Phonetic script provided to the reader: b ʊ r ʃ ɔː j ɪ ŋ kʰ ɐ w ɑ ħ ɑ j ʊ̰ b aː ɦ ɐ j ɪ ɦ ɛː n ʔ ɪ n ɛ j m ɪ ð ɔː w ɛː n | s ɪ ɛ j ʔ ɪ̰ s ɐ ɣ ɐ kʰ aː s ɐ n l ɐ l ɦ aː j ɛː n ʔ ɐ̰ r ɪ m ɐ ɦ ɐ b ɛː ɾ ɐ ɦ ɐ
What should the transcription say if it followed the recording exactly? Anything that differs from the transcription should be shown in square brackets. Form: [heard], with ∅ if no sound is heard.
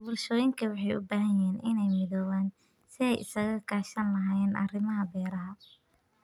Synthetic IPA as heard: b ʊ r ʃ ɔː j ɪ ŋ kʰ ɐ w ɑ ħ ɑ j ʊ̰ b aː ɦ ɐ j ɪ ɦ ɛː n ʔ ɪ n ɛ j m ɪ ð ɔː w [aː] n | s ɪ ɛ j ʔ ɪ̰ s ɐ ɣ ɐ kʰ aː [ʃ] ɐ n l ɐ [∅] ɦ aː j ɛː n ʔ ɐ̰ r ɪ m ɐ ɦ ɐ b ɛː ɾ ɐ ɦ ɐ